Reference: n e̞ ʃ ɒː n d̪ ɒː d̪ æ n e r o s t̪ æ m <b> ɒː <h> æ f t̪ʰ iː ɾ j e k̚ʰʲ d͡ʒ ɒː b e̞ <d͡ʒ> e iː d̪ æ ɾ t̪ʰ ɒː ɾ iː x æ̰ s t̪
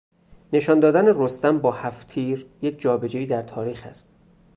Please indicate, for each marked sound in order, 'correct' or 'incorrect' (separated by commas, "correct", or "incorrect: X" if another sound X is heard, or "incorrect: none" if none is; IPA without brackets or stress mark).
correct, correct, correct